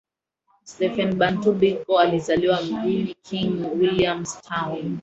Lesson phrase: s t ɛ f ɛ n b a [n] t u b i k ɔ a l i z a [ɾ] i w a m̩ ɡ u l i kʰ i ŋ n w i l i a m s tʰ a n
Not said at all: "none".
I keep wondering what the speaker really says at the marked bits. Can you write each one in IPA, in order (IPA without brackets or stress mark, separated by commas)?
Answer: n, l